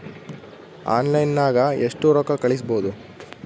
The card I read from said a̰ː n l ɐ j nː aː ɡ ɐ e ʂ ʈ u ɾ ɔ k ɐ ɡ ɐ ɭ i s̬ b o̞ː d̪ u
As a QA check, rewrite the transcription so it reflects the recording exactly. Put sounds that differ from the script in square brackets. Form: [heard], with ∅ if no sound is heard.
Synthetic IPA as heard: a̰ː n l ɐ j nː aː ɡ ɐ e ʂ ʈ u ɾ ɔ k ɐ [k] ɐ ɭ i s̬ b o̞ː d̪ u